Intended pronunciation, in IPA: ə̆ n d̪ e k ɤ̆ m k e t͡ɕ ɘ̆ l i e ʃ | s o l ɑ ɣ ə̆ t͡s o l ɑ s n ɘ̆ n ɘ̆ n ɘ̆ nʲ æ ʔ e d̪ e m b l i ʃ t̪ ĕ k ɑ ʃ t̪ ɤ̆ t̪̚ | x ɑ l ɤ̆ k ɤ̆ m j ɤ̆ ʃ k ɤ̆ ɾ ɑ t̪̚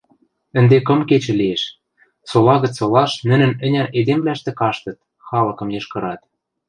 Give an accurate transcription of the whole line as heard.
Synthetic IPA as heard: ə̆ n d̪ e k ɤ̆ m k e t͡ɕ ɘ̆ l i e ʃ | s o l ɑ ɣ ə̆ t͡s o l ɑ ʃ n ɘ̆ n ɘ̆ n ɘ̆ nʲ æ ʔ e d̪ e m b l æ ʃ t̪ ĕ k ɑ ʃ t̪ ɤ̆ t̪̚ | x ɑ l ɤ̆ k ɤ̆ m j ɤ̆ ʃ k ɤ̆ ɾ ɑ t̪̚